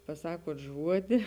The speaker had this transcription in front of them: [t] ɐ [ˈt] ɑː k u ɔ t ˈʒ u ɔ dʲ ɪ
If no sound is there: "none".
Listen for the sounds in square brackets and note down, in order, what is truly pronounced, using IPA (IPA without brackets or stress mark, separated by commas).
p, s